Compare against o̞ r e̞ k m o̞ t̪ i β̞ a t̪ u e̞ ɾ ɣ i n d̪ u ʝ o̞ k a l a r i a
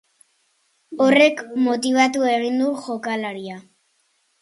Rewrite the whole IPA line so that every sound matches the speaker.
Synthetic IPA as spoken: o̞ r e̞ k m o̞ t̪ i β̞ a t̪ u e̞ ɣ i n d̪ u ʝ o̞ k a l a ɾ i a